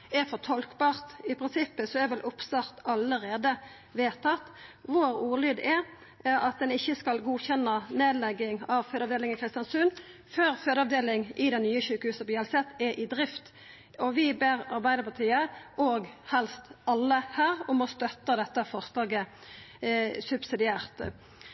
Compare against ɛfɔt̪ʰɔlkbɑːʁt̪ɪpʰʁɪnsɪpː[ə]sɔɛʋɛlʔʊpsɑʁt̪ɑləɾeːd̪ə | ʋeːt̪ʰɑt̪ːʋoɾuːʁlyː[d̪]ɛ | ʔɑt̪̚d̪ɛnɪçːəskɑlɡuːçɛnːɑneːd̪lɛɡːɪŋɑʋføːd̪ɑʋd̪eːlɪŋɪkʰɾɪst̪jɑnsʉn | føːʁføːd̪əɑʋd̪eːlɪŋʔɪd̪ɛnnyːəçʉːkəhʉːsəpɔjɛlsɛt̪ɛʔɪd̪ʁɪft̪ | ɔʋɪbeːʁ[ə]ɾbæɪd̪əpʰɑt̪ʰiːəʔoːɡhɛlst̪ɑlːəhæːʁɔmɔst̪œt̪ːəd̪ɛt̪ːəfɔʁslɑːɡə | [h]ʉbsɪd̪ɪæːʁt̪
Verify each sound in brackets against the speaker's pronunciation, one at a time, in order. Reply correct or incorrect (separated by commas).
correct, correct, incorrect, incorrect